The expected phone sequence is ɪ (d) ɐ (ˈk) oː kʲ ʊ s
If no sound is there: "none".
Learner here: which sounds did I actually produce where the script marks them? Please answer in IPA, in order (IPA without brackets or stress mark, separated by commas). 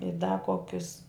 d, k